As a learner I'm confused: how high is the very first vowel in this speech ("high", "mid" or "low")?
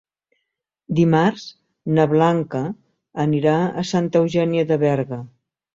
high